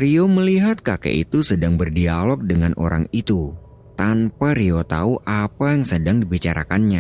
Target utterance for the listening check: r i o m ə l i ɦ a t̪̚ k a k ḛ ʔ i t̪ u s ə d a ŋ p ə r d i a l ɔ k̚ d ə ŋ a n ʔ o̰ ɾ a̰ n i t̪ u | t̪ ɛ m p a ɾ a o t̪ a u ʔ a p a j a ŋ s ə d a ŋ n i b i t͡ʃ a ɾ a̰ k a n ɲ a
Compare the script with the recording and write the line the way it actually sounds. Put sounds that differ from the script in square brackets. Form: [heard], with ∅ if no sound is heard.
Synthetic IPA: r i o m ə l i ɦ a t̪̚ k a k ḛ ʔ i t̪ u s ə d a ŋ [b] ə r d i a l ɔ k̚ d ə ŋ a n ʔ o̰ ɾ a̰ [ŋ] i t̪ u | t̪ [a] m p a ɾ [i] o t̪ a u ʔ a p a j a ŋ s ə d a ŋ [d] i b i t͡ʃ a ɾ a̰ k a n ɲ a